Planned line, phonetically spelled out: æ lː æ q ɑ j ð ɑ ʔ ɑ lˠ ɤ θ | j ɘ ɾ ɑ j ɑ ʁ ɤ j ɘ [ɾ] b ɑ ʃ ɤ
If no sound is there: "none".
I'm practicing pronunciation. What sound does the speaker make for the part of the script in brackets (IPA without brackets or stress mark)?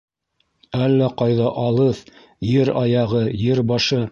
ɾ